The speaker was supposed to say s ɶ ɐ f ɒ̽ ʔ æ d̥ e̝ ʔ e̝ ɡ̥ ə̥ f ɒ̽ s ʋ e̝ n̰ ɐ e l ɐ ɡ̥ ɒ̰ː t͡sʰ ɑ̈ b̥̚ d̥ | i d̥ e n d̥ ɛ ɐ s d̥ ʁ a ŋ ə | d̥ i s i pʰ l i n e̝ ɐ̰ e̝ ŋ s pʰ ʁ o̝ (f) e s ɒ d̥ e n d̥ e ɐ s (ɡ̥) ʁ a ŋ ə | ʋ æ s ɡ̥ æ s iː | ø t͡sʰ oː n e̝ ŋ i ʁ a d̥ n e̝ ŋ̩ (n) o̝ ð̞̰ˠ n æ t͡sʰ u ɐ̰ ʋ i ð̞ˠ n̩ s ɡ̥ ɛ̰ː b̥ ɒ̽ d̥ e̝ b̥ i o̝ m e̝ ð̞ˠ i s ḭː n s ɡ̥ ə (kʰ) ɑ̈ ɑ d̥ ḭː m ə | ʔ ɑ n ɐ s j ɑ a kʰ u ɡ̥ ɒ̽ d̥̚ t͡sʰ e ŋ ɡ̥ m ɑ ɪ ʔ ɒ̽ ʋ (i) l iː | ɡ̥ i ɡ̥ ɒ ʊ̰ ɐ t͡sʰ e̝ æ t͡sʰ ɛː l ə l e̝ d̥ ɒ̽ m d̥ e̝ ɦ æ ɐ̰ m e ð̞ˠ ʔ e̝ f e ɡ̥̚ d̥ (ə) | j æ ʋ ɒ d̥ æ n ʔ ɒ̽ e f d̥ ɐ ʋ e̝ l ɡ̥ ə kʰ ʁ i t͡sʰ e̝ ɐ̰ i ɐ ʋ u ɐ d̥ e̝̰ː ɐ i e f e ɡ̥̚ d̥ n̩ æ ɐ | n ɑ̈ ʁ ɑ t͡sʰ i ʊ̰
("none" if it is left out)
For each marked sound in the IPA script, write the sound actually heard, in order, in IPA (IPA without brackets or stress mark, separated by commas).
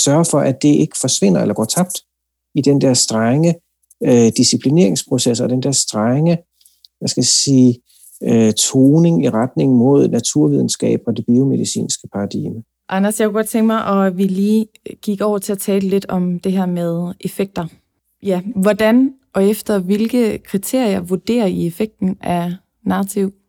s, d̥, m, pʰ, i, ɐ